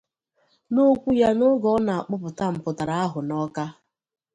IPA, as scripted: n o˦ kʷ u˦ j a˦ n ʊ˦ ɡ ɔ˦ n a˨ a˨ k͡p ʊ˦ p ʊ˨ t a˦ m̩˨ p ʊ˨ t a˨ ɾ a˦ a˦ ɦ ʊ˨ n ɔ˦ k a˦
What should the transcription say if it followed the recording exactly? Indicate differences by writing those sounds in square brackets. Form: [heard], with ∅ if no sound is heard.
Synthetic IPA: n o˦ kʷ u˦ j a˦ n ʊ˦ ɡ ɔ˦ n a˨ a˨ k͡p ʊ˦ p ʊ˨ t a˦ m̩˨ p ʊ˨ t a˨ ɾ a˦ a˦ ɦ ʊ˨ n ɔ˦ k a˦